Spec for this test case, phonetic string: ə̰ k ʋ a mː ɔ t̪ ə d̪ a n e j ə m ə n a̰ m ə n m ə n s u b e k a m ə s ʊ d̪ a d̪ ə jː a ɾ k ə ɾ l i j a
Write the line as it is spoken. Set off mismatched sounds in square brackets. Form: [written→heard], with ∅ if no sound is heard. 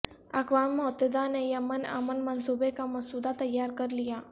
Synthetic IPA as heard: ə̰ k ʋ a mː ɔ t̪ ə d̪ a n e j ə m ə n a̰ m ə n m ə n s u b e k a m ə s [ʊ→u] d̪ a [d̪→t̪] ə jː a ɾ k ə ɾ l i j a

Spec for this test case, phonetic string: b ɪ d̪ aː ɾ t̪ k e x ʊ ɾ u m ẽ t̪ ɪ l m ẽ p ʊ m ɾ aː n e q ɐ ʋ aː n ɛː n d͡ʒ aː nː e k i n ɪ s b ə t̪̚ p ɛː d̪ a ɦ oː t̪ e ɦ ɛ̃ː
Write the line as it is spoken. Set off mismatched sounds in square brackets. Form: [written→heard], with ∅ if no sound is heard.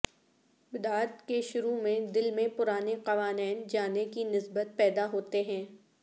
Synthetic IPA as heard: b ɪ d̪ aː ɾ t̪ k e [x→ʃ] ʊ ɾ u m ẽ [t̪→d̪] ɪ l m ẽ p ʊ [m→∅] ɾ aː n e q ɐ ʋ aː n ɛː n d͡ʒ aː [nː→n] e k i n ɪ s b ə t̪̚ p ɛː d̪ a ɦ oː t̪ e ɦ ɛ̃ː

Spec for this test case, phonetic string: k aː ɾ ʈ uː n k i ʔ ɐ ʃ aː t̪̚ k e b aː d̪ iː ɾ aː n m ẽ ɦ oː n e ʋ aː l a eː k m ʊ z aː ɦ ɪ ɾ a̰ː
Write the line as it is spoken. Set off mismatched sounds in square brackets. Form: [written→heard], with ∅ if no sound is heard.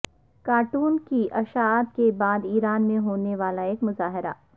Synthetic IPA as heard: k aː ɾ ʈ uː n k i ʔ ɐ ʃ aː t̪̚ k e b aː d̪ iː ɾ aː n m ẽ ɦ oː n e ʋ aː l a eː k m ʊ z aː ɦ ɪ ɾ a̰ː

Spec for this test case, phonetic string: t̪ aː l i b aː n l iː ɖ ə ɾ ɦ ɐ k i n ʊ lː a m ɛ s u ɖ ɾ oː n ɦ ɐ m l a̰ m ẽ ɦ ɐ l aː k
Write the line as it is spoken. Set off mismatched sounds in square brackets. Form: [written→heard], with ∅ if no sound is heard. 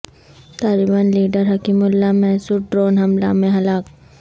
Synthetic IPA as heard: t̪ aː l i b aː n l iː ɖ ə ɾ ɦ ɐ k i [n→m] ʊ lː a m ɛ s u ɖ ɾ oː n ɦ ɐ m l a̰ m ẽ ɦ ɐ l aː k

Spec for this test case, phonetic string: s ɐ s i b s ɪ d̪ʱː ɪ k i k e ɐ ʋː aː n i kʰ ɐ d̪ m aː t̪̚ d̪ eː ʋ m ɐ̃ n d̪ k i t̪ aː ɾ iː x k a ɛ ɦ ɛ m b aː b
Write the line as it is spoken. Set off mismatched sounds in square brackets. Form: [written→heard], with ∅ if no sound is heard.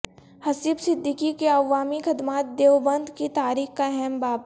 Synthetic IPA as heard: [s→h] ɐ s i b s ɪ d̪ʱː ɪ k i k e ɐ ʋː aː [n→m] i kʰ ɐ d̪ m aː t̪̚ d̪ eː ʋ [m→b] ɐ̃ n d̪ k i t̪ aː ɾ iː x k a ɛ ɦ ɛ m b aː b

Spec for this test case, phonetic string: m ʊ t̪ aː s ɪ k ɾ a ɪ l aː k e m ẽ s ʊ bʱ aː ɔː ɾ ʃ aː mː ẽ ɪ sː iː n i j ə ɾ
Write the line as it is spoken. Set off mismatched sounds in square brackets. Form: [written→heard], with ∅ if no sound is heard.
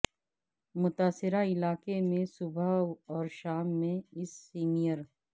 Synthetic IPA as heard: m ʊ t̪ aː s ɪ [k→∅] ɾ a ɪ l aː k e m ẽ s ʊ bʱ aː ɔː ɾ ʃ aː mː ẽ ɪ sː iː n i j ə ɾ

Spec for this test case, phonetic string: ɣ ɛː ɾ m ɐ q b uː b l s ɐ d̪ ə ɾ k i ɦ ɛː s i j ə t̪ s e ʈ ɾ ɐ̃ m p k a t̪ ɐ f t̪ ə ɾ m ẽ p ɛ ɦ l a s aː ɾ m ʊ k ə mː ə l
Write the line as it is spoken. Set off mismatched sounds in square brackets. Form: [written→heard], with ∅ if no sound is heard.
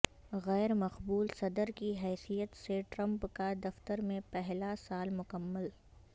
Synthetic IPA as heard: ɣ ɛː ɾ m ɐ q b uː [b→∅] l s ɐ d̪ ə ɾ k i ɦ ɛː s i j ə t̪ s e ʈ ɾ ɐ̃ m p k a [t̪→d̪] ɐ f t̪ ə ɾ m ẽ p ɛ ɦ l a s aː [ɾ→l] m ʊ k ə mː ə l

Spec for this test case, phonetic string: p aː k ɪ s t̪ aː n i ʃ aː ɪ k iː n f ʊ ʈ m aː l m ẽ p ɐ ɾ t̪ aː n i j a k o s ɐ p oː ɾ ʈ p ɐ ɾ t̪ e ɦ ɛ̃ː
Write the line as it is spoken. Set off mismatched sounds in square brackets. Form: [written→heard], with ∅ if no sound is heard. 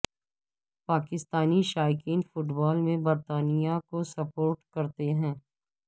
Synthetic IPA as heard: p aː k ɪ s t̪ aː n i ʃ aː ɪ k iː n f ʊ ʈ [m→b] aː l m ẽ [p→b] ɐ ɾ t̪ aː n i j a k o s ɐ p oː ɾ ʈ [p→k] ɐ ɾ t̪ e ɦ ɛ̃ː

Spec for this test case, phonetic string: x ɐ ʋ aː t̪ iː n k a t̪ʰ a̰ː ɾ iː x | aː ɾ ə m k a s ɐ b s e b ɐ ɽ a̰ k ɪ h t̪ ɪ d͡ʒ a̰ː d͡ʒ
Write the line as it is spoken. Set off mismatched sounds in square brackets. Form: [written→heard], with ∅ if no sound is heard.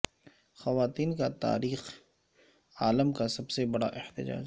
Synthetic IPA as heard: x ɐ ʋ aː t̪ iː n k a [t̪ʰ→t̪] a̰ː ɾ iː x | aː [ɾ→l] ə m k a s ɐ b s e b ɐ ɽ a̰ [k→ʔ] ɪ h t̪ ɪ d͡ʒ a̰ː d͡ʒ

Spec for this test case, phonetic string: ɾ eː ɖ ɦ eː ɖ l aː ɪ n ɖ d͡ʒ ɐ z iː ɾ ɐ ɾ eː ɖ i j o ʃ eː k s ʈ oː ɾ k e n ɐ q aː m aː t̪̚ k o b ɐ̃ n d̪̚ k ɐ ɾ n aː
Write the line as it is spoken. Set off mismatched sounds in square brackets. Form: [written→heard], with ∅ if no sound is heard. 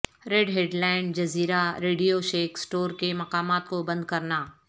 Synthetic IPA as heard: ɾ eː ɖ ɦ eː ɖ l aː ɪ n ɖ d͡ʒ ɐ z iː ɾ [ɐ→a] ɾ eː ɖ i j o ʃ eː k s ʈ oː ɾ k e [n→m] ɐ q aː m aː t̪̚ k o b ɐ̃ n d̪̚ k ɐ ɾ n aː

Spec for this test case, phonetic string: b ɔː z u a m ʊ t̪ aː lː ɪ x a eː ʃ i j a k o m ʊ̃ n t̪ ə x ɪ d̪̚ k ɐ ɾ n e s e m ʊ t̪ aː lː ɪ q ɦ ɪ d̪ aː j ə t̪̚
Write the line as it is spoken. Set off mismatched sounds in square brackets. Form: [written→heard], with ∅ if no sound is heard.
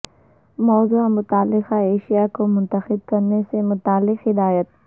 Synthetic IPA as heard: [b→m] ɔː z u a m ʊ t̪ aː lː ɪ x a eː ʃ i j a k o m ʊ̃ n t̪ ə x ɪ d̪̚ k ɐ ɾ n e s e m ʊ t̪ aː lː ɪ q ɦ ɪ d̪ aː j ə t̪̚

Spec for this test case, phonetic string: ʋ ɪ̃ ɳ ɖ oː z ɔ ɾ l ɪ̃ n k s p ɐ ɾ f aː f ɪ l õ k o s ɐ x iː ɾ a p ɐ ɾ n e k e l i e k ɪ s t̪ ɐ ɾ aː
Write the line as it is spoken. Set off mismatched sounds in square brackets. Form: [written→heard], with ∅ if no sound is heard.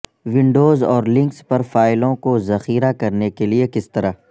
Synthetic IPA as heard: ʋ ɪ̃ ɳ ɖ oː z [ɔ→ɔː] ɾ l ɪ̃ [n→ŋ] k s p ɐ ɾ f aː [f→∅] ɪ l õ k o [s→z] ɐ x iː ɾ a [p→k] ɐ ɾ n e k e l i e k ɪ s t̪ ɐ ɾ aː

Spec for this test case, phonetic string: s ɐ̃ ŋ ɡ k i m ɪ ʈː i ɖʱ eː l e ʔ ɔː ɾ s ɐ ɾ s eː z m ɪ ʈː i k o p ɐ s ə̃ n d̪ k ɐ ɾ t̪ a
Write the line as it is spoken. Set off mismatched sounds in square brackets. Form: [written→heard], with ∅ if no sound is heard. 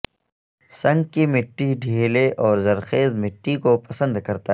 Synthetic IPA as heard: s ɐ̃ ŋ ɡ k i m ɪ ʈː i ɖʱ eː l e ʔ ɔː ɾ [s→z] ɐ ɾ [s→x] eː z m ɪ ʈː i k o p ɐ s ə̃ n d̪ k ɐ ɾ t̪ a

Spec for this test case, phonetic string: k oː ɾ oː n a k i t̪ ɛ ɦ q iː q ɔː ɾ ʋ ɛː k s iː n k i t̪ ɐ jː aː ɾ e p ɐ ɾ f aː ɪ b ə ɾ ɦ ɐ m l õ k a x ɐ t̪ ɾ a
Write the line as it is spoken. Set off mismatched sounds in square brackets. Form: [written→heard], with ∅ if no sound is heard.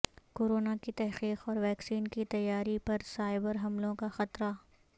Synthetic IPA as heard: k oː ɾ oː n a k i t̪ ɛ ɦ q iː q ɔː ɾ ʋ ɛː k s iː n k i t̪ ɐ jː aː ɾ [e→i] p ɐ ɾ [f→s] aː ɪ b ə ɾ ɦ ɐ m l õ k a x ɐ t̪ ɾ a

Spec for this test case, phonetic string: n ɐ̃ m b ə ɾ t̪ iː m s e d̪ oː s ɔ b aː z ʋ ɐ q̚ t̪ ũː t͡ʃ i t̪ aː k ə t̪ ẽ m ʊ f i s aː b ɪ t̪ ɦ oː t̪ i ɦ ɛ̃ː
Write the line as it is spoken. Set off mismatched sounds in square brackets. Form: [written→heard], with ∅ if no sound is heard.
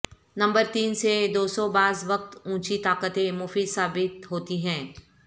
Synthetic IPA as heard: n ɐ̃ m b ə ɾ t̪ iː [m→n] s e d̪ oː s ɔ b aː z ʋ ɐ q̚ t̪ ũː t͡ʃ i t̪ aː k ə t̪ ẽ m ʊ f i s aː b ɪ t̪ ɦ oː t̪ i ɦ ɛ̃ː

